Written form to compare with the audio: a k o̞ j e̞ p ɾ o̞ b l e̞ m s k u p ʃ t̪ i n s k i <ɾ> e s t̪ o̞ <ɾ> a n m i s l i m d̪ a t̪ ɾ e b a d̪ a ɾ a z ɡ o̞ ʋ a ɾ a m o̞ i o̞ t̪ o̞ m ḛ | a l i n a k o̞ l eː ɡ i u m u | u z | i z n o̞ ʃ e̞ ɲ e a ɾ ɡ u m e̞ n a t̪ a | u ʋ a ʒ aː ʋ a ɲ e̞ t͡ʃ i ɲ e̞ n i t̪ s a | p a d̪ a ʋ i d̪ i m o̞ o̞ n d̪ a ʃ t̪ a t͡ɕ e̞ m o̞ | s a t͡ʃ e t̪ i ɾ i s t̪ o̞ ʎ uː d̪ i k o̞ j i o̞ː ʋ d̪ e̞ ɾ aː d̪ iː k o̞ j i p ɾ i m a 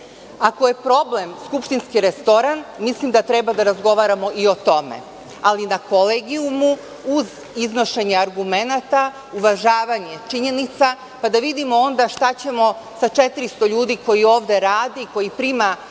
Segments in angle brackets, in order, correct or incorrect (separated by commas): correct, correct